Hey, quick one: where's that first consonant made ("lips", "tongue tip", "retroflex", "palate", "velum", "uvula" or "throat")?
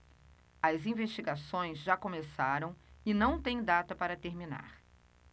tongue tip